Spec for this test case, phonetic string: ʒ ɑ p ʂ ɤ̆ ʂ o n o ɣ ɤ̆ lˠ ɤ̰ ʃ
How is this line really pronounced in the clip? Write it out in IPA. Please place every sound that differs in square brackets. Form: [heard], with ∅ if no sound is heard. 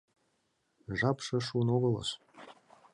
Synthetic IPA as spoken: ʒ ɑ p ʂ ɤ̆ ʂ [u] n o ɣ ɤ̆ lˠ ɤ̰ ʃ